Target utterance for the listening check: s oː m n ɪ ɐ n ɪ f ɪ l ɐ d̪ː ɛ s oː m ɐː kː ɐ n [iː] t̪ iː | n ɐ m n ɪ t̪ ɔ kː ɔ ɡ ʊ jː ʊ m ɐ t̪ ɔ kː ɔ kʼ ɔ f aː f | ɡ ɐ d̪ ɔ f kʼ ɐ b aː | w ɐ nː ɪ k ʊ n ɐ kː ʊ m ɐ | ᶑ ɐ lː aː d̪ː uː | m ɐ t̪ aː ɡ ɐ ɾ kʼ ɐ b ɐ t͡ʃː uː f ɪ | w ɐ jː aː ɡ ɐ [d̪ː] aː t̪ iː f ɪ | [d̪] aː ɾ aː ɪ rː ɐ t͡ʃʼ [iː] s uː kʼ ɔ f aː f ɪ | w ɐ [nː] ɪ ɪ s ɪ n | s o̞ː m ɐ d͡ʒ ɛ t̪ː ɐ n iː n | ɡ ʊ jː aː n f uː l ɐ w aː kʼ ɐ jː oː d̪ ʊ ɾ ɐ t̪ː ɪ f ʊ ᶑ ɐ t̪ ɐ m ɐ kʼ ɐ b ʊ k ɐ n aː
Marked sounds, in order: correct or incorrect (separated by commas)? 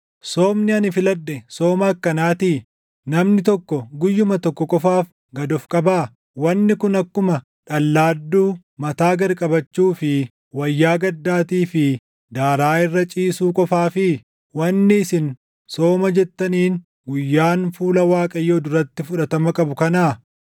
incorrect, correct, correct, correct, correct